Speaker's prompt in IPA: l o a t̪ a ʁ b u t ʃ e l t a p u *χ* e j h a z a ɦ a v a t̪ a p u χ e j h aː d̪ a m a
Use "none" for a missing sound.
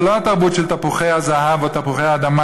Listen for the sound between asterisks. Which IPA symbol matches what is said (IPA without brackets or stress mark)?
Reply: χ